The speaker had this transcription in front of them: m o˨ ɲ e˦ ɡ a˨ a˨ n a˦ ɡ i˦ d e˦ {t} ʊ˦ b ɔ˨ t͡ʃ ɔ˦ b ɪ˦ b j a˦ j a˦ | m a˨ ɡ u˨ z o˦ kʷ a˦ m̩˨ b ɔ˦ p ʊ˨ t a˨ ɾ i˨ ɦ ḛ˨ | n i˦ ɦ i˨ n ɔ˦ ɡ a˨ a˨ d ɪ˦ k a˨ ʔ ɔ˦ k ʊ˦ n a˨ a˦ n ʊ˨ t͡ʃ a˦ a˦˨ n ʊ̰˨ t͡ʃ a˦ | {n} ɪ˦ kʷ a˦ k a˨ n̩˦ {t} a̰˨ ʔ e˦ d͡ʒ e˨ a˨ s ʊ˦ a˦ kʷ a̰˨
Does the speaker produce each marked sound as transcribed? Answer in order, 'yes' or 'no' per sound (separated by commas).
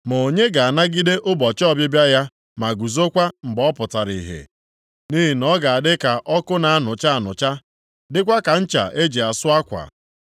no, no, no